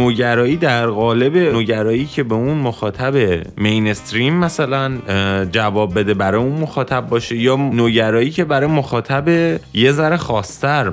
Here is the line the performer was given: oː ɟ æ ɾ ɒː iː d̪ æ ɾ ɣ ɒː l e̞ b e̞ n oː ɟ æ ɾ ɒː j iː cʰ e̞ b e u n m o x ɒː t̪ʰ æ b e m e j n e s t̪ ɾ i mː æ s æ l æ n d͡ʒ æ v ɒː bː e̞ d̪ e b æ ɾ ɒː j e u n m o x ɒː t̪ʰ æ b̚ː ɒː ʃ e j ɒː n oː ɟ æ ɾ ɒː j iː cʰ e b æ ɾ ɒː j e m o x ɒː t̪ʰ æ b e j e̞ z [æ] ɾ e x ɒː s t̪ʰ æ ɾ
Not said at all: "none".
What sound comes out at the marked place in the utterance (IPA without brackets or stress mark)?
æ